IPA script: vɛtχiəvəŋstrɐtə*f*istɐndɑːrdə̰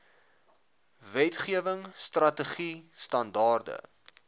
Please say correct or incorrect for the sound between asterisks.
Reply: incorrect